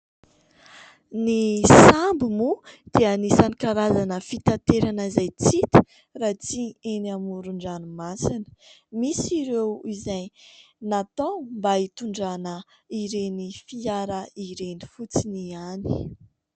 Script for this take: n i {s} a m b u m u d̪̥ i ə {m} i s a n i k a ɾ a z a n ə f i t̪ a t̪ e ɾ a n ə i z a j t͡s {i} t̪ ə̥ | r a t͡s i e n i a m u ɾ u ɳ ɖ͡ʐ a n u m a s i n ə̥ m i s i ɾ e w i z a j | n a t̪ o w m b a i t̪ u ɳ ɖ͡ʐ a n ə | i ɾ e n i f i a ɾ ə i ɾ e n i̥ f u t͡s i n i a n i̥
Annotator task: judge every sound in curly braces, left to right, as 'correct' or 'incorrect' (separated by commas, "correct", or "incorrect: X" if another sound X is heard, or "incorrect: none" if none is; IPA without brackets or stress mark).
correct, incorrect: n, correct